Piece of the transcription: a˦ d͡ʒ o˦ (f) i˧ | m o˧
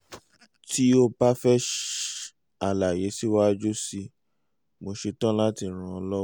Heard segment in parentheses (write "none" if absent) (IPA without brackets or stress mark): s